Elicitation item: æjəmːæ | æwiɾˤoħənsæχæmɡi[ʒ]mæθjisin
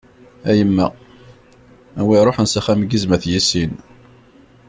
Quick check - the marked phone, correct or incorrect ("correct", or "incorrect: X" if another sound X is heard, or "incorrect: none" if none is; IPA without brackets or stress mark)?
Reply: incorrect: z